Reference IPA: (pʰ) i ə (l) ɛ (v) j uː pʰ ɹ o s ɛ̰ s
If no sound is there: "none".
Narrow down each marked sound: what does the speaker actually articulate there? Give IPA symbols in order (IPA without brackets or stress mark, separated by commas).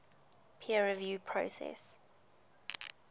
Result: pʰ, ɹ, v